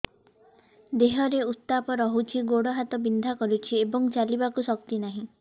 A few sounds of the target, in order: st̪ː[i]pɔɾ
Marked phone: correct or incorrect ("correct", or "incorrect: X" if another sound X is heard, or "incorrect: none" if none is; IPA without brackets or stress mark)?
incorrect: a